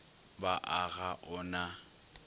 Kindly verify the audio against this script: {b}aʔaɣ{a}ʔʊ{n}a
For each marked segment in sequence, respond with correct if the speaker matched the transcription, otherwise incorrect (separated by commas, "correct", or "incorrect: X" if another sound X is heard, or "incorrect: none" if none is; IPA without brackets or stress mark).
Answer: correct, correct, correct